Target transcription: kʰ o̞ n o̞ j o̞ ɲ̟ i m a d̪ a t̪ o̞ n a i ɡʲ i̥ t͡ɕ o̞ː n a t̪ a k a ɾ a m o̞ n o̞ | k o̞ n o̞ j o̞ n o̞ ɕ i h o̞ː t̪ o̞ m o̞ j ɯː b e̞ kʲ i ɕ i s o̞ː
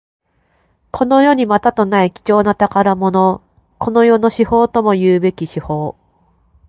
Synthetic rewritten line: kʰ o̞ n o̞ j o̞ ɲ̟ i m a t̪ a t̪ o̞ n a i kʲ i̥ t͡ɕ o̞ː n a t̪ a k a ɾ a m o̞ n o̞ | k o̞ n o̞ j o̞ n o̞ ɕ i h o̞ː t̪ o̞ m o̞ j ɯː b e̞ kʲ i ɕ i h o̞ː

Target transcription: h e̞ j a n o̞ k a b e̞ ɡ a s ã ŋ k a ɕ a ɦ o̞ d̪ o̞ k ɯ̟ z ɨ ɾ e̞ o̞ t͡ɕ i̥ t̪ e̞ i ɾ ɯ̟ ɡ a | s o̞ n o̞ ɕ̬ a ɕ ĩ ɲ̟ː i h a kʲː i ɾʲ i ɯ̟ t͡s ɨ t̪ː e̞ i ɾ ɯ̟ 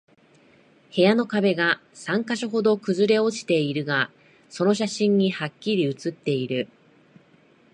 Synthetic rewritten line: h e̞ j a n o̞ k a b e̞ ɡ a s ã ŋ k a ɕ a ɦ o̞ d̪ o̞ k ɯ̟ z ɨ ɾ e̞ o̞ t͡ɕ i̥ t̪ e̞ i ɾ ɯ̟ ɡ a | s o̞ n o̞ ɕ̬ a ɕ ĩ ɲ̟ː i h a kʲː i ɾʲ i ɯ̟ t͡s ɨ t̪ː e̞ i ɾ ɯ̟

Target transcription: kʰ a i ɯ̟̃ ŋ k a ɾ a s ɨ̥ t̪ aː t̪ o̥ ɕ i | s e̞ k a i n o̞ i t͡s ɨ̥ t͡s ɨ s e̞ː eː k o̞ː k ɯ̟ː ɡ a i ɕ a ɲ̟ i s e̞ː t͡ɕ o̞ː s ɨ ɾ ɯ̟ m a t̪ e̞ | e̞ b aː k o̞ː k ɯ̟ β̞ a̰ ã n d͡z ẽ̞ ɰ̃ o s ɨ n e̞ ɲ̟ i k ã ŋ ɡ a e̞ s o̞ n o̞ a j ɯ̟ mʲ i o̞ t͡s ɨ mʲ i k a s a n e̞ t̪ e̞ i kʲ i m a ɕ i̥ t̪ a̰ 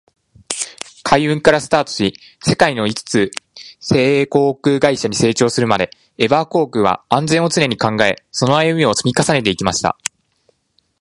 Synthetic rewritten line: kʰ a i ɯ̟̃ ŋ k a ɾ a s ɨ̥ t̪ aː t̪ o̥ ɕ i | s e̞ k a i n o̞ i t͡s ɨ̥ t͡s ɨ s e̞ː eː k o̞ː k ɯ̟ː ɡ a i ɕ a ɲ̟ i s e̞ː t͡ɕ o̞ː s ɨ ɾ ɯ̟ m a d̪ e̞ | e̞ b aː k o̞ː k ɯ̟ β̞ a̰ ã n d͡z ẽ̞ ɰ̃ o t͡s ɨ n e̞ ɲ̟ i k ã ŋ ɡ a e̞ s o̞ n o̞ a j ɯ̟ mʲ i o̞ t͡s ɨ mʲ i k a s a n e̞ t̪ e̞ i kʲ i m a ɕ i̥ t̪ a̰

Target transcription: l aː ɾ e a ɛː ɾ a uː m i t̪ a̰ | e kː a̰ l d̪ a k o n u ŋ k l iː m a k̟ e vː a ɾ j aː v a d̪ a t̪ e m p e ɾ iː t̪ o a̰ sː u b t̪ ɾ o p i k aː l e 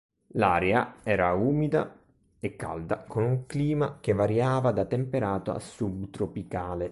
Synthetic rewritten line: l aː ɾ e a ɛː ɾ a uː m i d̪ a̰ | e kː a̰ l d̪ a k o n u ŋ k l iː m a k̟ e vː a ɾ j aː v a d̪ a t̪ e m p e ɾ aː t̪ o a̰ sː u b t̪ ɾ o p i k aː l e

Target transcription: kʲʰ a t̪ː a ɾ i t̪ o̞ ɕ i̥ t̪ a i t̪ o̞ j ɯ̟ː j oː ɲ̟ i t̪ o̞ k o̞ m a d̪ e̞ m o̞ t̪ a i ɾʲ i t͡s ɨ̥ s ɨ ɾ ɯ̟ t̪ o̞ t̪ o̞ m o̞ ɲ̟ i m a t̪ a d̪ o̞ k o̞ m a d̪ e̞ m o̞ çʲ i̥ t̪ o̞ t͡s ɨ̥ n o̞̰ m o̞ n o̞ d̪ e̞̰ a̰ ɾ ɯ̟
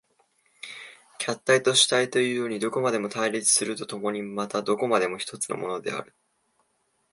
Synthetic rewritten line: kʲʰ a t̪ː a i t̪ o̞ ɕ i̥ t̪ a i t̪ o̞ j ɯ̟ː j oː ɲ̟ i d̪ o̞ k o̞ m a d̪ e̞ m o̞ t̪ a i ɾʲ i t͡s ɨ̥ s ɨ ɾ ɯ̟ t̪ o̞ t̪ o̞ m o̞ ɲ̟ i m a t̪ a d̪ o̞ k o̞ m a d̪ e̞ m o̞ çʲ i̥ t̪ o̞ t͡s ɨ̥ n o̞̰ m o̞ n o̞ d̪ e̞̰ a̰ ɾ ɯ̟

